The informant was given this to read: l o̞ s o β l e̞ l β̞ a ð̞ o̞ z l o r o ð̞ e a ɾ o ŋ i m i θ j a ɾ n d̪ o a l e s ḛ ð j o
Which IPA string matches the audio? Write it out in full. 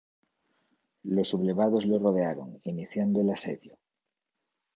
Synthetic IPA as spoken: l o̞ s u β l e̞ β̞ a ð̞ o̞ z l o r o ð̞ e a ɾ o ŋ i n i θ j a n d̪ o e l a s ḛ ð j o